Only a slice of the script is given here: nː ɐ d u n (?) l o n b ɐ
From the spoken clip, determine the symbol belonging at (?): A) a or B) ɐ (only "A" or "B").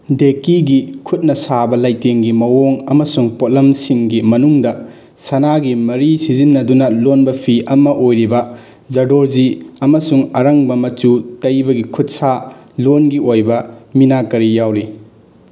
B